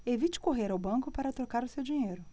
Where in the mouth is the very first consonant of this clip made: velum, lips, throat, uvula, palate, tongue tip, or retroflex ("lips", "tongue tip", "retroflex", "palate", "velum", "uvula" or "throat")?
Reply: lips